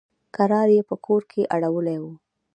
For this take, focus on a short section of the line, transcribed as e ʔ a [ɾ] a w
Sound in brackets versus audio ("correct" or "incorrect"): incorrect